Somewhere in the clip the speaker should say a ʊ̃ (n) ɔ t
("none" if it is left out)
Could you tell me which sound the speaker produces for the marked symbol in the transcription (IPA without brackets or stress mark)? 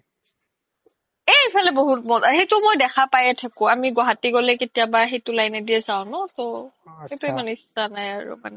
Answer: n